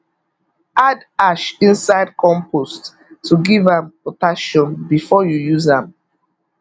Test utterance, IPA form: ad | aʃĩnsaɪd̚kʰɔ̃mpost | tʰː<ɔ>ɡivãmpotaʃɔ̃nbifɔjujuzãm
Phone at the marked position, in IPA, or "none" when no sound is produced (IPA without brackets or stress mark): u